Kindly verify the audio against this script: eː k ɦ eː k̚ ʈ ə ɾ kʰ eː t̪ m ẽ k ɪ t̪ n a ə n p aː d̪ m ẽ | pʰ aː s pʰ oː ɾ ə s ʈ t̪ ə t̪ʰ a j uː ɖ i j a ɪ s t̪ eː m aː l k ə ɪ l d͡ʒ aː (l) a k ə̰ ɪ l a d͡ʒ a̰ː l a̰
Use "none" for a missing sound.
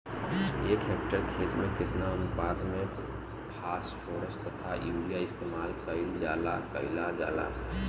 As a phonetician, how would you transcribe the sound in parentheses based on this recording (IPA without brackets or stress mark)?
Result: l